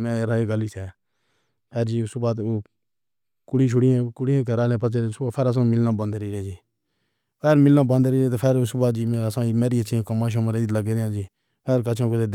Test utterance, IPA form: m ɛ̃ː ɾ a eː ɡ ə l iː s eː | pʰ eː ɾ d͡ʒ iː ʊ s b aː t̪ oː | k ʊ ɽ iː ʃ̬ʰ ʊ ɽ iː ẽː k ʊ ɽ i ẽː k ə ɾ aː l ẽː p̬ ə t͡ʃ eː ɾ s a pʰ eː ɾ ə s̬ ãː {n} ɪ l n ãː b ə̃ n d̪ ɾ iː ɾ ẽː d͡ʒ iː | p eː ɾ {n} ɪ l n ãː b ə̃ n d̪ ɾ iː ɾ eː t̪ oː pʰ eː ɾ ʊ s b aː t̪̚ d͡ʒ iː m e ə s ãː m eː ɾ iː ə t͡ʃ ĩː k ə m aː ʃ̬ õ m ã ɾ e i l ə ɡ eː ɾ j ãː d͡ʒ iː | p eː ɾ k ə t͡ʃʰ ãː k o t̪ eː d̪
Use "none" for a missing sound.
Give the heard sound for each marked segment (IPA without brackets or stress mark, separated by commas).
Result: m, m